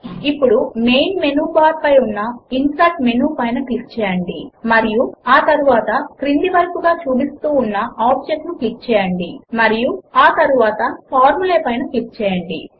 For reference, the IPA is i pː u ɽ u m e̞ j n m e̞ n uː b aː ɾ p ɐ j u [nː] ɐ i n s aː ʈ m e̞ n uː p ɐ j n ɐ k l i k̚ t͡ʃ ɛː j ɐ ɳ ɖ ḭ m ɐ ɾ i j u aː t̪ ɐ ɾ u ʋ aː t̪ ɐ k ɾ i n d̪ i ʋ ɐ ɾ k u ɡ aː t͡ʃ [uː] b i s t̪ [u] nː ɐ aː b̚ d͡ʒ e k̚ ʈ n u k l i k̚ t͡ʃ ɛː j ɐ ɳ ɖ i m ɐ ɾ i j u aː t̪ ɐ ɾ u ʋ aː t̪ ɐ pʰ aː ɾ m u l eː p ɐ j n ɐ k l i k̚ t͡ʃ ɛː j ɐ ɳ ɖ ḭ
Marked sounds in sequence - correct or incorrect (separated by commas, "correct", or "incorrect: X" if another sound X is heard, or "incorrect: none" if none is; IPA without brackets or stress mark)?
correct, correct, incorrect: uː